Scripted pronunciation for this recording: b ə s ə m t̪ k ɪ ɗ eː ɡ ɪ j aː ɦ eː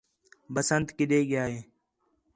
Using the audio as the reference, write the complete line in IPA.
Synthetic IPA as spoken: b ə s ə n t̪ k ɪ ɗ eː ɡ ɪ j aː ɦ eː